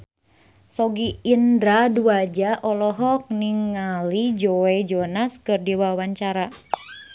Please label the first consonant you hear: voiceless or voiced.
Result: voiceless